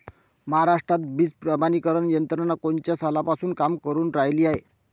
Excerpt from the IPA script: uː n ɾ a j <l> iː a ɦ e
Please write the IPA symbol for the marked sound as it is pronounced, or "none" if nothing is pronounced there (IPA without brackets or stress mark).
l